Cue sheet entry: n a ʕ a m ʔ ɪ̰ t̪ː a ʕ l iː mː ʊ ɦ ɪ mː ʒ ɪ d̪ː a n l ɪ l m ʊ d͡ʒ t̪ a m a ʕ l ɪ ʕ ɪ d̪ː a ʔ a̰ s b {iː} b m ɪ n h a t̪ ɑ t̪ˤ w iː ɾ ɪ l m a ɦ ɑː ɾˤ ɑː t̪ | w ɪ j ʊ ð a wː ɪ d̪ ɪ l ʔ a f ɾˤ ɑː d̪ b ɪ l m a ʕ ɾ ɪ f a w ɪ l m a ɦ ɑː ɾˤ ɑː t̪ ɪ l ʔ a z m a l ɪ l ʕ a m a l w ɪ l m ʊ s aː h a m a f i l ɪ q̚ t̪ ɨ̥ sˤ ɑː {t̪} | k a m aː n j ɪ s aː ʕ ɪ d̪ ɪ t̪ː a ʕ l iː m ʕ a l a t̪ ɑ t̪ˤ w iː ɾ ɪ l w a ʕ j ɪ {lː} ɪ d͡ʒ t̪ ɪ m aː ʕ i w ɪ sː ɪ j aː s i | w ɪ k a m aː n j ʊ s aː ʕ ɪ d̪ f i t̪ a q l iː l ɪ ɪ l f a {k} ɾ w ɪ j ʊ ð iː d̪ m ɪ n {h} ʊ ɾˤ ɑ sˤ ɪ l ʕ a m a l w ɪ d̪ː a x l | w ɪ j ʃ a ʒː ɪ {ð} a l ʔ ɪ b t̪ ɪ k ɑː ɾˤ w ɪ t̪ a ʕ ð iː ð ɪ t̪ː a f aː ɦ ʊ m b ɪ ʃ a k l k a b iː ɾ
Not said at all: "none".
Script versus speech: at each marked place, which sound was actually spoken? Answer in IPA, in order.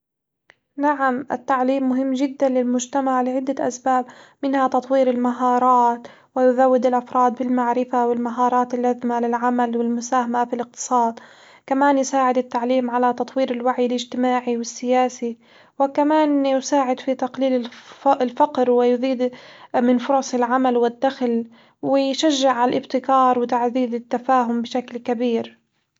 aː, d̪, l, q, f, ʕ

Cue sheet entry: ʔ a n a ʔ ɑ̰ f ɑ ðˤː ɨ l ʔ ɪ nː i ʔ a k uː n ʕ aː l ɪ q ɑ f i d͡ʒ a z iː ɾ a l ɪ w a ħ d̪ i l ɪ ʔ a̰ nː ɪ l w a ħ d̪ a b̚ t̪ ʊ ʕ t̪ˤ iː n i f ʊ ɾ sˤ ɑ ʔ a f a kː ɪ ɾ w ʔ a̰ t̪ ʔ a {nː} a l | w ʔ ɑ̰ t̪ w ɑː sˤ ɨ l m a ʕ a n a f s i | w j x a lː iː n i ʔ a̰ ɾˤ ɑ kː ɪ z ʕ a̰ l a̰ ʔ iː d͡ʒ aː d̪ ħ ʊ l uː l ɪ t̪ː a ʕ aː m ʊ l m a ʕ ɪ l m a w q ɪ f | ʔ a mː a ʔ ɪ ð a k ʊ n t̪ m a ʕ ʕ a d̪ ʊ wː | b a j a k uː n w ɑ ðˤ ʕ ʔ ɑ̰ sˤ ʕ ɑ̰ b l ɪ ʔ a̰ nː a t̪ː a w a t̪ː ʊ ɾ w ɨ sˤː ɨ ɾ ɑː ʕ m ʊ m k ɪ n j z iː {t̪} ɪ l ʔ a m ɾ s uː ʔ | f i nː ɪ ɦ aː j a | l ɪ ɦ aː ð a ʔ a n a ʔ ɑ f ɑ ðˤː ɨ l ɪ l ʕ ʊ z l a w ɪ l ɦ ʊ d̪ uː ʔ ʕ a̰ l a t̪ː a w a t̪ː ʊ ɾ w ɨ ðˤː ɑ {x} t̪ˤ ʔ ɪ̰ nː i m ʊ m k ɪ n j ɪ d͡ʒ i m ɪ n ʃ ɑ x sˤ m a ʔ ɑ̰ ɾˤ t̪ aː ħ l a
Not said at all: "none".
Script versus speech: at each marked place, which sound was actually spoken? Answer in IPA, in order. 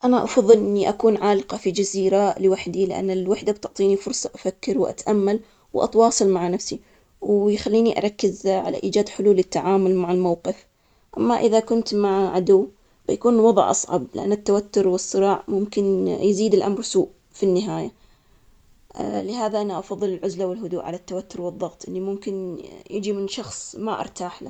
mː, d̪, ɣ

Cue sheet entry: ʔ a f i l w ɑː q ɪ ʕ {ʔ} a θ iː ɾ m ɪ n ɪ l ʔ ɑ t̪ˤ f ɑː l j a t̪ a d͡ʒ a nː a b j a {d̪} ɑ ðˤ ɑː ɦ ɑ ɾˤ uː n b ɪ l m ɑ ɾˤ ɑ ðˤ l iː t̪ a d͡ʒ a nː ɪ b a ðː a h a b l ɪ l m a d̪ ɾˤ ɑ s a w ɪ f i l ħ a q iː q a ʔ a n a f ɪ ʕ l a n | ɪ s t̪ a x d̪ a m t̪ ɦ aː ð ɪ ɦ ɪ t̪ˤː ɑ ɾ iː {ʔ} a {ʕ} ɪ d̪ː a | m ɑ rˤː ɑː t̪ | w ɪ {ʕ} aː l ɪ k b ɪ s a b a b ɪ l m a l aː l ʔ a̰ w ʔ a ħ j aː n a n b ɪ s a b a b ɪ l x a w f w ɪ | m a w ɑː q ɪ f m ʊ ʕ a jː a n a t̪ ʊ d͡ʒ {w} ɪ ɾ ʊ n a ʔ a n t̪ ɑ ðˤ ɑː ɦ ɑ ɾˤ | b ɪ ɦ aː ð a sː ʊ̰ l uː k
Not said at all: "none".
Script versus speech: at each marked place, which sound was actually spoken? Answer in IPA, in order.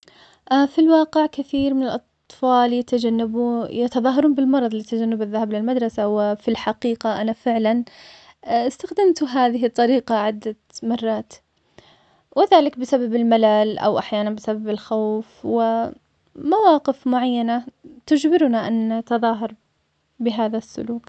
k, t̪, q, ʕ, ð, b

